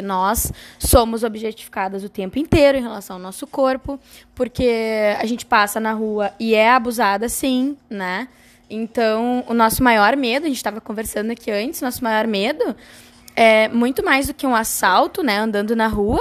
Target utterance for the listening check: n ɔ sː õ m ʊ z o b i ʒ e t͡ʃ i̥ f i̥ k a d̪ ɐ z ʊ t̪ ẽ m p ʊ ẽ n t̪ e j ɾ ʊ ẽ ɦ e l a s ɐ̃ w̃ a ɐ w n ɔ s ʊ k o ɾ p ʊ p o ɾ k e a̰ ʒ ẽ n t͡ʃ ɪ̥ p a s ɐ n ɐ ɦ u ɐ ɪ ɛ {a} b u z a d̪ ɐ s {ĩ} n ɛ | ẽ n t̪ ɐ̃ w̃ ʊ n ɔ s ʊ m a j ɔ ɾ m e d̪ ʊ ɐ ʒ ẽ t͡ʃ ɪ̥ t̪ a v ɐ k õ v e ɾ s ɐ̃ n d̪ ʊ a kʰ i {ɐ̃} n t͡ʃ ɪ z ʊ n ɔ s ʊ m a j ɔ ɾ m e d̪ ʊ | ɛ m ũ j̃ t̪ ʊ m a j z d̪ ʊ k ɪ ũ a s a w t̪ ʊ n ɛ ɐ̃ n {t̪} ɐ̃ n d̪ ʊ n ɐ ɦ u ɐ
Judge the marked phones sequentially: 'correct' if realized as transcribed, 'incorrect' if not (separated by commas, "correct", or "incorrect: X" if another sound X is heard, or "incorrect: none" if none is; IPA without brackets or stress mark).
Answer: correct, correct, correct, incorrect: d̪